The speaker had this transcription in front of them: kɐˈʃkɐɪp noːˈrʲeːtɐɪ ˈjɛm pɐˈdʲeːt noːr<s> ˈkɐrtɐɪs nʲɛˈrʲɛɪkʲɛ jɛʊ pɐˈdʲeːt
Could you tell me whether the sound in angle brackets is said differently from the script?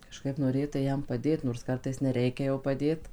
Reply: no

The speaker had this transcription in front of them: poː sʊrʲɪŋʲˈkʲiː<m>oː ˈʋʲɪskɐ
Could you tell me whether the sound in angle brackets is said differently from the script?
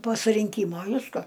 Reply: no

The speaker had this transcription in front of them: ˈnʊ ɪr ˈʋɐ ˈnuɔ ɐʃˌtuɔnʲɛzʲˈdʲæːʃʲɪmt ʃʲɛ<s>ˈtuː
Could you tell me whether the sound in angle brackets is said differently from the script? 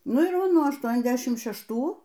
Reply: yes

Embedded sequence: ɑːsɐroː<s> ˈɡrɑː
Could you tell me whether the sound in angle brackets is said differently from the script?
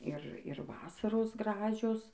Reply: no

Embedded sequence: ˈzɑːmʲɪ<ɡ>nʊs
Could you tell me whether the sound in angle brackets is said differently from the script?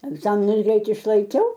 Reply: yes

